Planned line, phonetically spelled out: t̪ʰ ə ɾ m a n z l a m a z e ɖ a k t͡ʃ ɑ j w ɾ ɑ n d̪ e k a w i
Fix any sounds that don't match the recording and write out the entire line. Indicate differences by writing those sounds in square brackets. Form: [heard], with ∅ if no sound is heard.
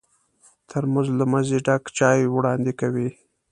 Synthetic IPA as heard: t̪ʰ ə ɾ m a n z l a m a z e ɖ a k t͡ʃ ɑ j w [ɽ] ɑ n d̪ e k a w i